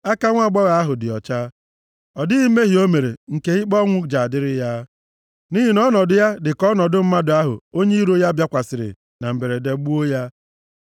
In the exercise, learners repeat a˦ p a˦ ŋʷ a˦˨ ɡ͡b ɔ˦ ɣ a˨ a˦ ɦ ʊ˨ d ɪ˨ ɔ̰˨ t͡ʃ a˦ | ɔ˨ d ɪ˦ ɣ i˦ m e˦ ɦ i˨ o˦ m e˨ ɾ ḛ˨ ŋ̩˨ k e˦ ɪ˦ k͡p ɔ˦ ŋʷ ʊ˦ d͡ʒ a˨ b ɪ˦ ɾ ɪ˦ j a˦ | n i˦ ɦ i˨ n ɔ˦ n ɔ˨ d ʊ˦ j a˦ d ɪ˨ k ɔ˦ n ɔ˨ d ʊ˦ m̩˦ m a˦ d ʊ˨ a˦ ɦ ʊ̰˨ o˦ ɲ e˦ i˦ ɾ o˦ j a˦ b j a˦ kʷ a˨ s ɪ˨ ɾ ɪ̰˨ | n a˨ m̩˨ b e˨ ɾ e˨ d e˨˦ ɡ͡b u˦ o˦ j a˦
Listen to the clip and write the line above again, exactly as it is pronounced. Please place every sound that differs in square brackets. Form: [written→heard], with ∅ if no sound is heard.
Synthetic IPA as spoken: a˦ [p→k] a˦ ŋʷ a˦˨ ɡ͡b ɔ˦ ɣ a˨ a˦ ɦ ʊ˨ d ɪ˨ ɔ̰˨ t͡ʃ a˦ | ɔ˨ d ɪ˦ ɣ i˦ m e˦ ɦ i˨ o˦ m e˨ ɾ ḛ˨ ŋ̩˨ k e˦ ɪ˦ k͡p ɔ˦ ŋʷ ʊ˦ d͡ʒ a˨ [b→d] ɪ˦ ɾ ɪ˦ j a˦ | n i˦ ɦ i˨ n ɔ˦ n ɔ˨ d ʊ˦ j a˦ d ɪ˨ k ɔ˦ n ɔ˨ d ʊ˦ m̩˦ m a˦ d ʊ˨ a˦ ɦ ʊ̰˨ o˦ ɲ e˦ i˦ ɾ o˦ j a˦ b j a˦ kʷ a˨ s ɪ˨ ɾ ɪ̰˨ | n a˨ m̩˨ b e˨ ɾ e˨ d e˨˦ ɡ͡b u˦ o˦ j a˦